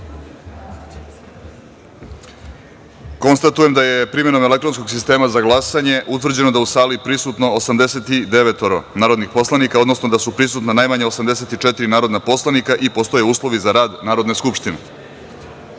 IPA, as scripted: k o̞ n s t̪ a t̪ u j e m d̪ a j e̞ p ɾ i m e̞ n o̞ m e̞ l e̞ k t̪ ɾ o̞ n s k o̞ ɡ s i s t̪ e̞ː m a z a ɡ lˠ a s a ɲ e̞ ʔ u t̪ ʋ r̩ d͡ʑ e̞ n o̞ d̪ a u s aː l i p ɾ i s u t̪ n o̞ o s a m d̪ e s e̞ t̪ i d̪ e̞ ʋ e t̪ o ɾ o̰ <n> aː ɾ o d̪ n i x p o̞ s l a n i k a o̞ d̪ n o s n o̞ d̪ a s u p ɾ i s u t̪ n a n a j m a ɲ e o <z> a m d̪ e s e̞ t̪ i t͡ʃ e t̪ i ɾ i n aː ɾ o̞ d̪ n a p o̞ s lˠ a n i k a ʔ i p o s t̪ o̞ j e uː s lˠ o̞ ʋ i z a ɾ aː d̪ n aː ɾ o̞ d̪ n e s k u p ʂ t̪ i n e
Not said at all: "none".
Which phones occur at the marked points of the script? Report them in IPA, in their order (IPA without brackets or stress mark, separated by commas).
n, s